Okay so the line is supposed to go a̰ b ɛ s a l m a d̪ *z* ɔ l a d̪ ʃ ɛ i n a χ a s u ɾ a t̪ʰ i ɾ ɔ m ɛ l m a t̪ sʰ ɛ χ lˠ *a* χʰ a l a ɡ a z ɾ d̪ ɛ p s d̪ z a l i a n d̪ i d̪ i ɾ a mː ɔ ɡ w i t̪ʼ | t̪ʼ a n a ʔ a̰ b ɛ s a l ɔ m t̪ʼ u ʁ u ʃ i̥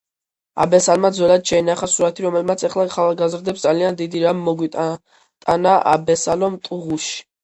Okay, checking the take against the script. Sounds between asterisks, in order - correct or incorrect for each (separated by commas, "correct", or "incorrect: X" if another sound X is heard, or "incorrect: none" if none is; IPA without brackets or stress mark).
correct, correct